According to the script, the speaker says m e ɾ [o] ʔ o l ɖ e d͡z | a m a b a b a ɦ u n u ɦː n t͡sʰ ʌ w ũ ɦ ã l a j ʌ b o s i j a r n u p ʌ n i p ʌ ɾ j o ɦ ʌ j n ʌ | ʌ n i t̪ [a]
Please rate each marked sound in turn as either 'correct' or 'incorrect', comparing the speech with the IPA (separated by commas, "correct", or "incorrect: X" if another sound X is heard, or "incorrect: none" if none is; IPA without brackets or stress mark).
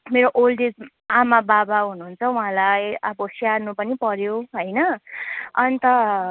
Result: correct, incorrect: ʌ